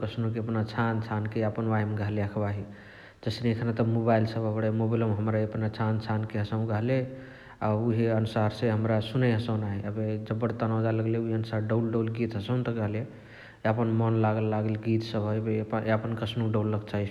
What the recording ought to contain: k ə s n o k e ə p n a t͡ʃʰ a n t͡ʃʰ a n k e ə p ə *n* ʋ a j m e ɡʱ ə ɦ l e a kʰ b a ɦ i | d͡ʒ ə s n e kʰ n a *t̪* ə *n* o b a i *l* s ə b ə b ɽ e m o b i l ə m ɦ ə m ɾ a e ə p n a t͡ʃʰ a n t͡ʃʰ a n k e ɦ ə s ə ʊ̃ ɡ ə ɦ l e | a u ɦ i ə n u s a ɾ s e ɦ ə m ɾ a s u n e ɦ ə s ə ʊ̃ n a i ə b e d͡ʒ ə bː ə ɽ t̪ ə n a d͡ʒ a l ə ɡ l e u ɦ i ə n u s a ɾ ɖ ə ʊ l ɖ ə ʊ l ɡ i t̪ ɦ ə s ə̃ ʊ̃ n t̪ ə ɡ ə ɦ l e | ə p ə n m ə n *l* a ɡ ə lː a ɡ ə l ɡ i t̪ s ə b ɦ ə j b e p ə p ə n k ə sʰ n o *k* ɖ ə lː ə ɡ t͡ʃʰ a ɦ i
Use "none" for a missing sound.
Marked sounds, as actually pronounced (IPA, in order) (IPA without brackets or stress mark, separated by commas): n, t̪, m, l, l, k